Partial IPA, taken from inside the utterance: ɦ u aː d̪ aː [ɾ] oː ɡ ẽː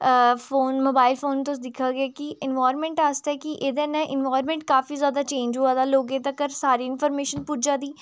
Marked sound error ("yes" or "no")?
yes